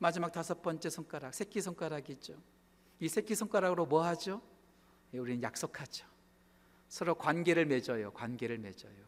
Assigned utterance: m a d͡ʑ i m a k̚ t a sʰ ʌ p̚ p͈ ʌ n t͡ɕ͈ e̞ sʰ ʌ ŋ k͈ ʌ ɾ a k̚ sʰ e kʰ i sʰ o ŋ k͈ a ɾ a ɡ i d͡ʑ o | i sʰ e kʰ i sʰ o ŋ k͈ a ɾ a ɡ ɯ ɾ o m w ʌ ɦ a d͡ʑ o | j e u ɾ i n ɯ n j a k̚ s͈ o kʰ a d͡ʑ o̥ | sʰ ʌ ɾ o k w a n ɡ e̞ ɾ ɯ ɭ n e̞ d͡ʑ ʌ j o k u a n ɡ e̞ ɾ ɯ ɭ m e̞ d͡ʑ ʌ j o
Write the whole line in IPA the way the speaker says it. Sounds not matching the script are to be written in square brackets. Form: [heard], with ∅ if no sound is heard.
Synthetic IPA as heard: m a d͡ʑ i m a k̚ t a sʰ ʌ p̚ p͈ ʌ n t͡ɕ͈ e̞ sʰ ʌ ŋ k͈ [a] ɾ a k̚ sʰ e kʰ i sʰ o ŋ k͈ a ɾ a ɡ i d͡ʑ o | i sʰ e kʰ i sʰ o ŋ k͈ a ɾ a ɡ ɯ ɾ o m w ʌ ɦ a d͡ʑ o | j e u ɾ i n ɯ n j a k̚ s͈ o kʰ a d͡ʑ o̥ | sʰ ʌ ɾ o k w a n ɡ e̞ ɾ ɯ ɭ [m] e̞ d͡ʑ ʌ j o k [w] a n ɡ e̞ ɾ ɯ ɭ m e̞ d͡ʑ ʌ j o